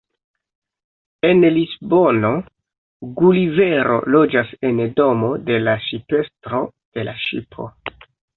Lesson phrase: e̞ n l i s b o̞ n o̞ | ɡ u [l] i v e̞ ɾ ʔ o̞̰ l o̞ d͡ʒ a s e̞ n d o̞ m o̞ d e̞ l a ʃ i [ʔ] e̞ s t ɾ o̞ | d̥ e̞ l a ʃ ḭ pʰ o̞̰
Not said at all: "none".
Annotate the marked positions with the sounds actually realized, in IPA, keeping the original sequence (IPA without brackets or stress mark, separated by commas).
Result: l, p